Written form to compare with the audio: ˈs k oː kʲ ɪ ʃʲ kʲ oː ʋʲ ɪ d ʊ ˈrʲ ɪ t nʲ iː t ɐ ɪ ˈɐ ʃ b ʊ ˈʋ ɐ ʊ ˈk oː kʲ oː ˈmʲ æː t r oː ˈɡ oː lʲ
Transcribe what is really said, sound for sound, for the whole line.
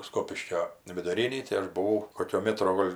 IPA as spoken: ˈs k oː pʲ ɪ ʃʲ kʲ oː ʋʲ ɪ d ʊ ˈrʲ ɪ nʲ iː t ɐ ɪ ˈɐ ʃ b ʊ ˈʋ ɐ ʊ ˈk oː kʲ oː ˈmʲ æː t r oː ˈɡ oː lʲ